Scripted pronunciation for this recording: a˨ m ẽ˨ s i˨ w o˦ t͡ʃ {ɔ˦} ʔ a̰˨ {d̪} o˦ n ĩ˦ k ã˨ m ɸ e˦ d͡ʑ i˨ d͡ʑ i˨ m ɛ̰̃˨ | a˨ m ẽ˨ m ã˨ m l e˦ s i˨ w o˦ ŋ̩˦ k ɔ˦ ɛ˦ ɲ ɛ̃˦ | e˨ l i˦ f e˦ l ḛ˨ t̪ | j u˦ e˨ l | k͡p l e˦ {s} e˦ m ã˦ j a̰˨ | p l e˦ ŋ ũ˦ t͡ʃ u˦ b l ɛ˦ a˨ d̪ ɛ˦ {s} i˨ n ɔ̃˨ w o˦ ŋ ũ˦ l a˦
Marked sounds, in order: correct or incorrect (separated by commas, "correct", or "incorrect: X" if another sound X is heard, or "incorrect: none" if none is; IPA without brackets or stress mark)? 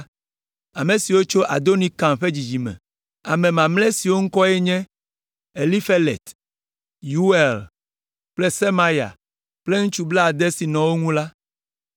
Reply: incorrect: o˦, correct, correct, correct